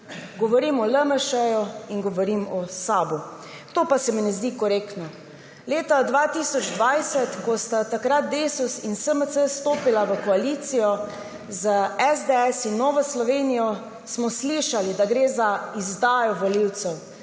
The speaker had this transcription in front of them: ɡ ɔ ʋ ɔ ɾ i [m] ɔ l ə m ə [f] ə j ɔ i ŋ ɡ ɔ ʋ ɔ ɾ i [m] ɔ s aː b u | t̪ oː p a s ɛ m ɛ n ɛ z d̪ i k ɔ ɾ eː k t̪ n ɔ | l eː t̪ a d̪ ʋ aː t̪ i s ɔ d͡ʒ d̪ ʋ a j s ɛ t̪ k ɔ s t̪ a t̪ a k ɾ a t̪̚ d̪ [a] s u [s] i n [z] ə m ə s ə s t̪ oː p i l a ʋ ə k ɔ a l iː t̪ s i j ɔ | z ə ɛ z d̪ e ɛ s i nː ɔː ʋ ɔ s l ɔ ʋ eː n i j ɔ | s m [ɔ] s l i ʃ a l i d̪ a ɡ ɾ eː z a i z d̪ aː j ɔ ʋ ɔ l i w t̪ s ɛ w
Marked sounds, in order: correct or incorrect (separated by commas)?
correct, incorrect, correct, incorrect, correct, incorrect, correct